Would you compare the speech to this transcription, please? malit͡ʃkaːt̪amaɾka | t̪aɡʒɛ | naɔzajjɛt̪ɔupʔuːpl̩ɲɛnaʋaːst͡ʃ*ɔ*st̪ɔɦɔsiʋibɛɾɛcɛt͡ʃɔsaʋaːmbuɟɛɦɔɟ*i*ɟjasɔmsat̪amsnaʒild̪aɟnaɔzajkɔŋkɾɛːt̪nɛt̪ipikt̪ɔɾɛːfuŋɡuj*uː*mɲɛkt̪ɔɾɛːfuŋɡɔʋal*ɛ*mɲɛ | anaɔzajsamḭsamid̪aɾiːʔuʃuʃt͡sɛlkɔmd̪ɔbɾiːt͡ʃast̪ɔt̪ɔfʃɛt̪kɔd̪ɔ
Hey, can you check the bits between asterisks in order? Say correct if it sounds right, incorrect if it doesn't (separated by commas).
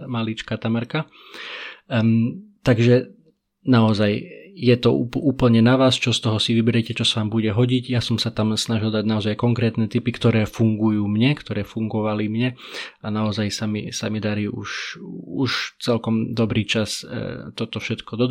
correct, correct, correct, incorrect